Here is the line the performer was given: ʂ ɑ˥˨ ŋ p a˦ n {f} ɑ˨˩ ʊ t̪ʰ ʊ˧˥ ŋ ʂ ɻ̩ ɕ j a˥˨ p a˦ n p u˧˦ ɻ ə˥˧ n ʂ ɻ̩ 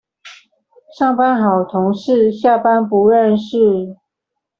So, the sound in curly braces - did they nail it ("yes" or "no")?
no